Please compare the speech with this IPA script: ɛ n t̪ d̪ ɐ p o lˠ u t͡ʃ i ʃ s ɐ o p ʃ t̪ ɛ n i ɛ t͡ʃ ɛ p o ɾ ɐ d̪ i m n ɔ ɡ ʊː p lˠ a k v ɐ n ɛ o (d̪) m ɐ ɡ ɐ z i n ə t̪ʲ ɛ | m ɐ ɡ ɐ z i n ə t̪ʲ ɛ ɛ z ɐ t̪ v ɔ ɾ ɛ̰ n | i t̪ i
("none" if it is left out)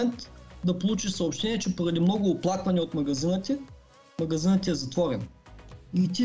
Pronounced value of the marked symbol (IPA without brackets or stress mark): t̪